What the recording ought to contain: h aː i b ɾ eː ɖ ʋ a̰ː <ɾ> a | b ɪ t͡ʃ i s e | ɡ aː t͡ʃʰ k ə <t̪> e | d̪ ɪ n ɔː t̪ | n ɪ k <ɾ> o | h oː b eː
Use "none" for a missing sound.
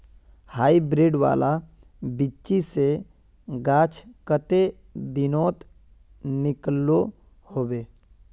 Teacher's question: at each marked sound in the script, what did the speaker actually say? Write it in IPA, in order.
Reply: l, t̪, l

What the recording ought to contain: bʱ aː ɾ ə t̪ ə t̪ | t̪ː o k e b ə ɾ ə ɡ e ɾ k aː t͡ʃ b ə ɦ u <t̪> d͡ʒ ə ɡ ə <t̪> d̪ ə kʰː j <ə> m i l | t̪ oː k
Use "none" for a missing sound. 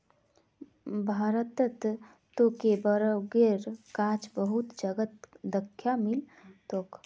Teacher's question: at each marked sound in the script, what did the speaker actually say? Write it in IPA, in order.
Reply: t̪, t̪, a

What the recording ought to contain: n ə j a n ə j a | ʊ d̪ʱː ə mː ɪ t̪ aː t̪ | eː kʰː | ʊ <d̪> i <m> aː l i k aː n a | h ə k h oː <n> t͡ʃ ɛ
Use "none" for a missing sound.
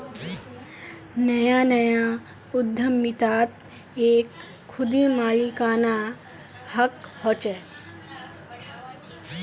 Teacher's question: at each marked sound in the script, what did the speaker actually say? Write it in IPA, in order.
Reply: d̪, m, none

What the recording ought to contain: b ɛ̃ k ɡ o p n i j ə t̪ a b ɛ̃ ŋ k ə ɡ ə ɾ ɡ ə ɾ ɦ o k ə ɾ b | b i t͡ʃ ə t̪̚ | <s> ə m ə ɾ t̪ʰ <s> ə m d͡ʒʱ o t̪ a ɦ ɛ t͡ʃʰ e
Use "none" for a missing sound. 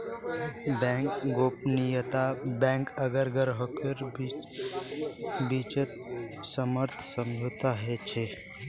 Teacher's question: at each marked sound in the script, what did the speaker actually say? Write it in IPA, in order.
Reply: s, s

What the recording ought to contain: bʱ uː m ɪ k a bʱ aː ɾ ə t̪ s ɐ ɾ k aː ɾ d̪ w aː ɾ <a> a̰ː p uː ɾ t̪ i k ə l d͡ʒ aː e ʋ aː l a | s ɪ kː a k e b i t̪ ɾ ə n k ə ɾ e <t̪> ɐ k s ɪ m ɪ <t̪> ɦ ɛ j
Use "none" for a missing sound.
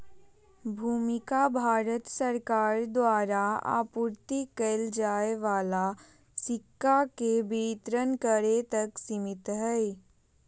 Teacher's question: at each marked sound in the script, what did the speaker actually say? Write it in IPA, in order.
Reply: a, t̪, t̪

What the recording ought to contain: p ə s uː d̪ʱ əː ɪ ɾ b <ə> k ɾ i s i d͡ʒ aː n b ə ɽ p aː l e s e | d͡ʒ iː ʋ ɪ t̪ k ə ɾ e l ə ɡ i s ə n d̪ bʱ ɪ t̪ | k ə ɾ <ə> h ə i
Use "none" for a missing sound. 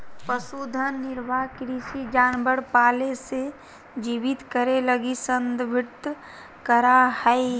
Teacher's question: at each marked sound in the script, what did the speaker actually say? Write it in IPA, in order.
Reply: a, a

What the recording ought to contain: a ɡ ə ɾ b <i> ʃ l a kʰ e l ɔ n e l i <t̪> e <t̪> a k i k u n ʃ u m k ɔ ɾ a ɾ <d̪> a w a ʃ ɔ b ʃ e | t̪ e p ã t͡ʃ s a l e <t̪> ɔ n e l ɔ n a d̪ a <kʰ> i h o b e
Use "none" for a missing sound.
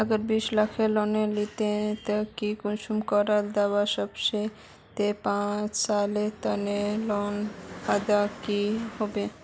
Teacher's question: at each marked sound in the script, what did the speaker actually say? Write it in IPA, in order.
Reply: i, t̪, t̪, d̪, t̪, k

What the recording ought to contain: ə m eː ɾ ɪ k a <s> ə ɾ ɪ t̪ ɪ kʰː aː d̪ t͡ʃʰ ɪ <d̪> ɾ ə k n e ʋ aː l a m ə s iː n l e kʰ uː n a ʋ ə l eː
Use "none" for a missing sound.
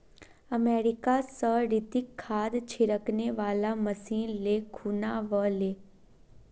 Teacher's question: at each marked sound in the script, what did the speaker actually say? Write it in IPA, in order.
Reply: s, none

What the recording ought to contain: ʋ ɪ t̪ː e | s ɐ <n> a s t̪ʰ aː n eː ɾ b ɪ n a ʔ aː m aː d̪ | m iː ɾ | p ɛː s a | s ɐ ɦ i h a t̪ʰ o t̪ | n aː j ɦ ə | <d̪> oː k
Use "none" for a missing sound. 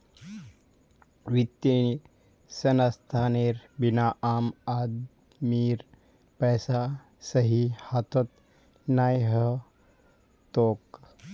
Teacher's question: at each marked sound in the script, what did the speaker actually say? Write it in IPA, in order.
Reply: n, t̪

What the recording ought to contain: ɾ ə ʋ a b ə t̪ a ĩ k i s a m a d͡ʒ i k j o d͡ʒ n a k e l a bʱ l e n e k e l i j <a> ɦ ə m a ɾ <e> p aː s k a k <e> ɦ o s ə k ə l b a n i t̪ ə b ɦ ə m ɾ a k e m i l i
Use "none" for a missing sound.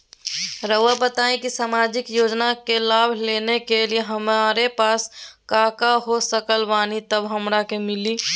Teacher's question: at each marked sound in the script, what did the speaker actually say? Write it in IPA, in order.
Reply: e, e, a

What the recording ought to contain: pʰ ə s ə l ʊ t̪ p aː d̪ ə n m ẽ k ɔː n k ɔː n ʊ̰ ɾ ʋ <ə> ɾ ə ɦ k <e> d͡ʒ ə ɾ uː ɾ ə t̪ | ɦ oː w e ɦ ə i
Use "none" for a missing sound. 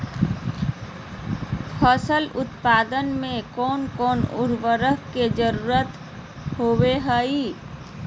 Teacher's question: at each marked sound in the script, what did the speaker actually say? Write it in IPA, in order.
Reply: ə, e

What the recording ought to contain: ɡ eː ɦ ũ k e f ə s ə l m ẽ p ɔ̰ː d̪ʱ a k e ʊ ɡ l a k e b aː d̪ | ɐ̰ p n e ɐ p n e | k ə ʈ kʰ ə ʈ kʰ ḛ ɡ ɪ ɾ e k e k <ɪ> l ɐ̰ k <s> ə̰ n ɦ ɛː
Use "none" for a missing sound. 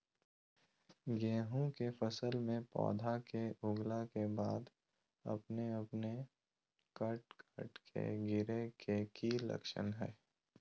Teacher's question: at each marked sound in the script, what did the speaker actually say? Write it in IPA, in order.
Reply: i, ʃ

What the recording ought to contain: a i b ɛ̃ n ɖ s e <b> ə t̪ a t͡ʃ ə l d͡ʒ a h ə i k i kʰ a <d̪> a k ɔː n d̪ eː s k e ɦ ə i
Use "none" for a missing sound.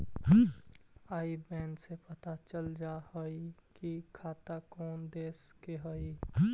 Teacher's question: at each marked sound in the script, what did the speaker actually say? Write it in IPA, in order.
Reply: p, t̪

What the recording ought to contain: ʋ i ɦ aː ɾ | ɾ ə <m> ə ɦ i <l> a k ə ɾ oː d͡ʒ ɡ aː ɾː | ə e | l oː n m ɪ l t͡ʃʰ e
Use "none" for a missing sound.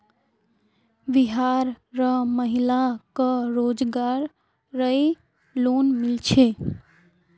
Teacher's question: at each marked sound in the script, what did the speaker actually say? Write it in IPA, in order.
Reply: m, l

